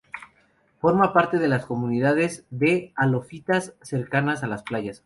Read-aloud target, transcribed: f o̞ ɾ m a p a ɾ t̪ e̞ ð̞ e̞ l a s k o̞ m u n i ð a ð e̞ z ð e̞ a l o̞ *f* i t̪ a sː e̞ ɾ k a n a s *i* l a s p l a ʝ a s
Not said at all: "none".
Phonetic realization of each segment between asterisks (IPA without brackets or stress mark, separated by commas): f, a